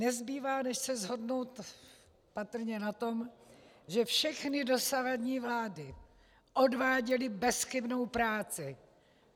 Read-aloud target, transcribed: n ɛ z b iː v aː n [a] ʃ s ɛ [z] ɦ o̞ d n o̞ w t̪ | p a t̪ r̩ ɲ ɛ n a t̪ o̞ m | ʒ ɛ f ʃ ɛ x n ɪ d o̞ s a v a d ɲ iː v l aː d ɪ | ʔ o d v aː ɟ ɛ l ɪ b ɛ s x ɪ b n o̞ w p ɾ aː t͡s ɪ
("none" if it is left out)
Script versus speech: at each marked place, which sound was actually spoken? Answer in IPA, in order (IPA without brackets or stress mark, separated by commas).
ɛ, z